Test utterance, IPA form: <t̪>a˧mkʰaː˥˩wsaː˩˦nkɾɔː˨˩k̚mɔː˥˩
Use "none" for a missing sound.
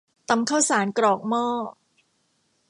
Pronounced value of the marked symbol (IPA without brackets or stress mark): t̪